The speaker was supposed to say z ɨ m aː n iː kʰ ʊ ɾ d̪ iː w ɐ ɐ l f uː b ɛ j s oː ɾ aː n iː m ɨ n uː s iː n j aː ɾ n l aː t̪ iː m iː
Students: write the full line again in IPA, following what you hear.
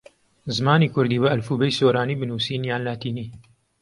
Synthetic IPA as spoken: z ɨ m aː n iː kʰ ʊ ɾ d̪ iː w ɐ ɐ l f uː b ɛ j s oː ɾ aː n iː b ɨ n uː s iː n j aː n l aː t̪ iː n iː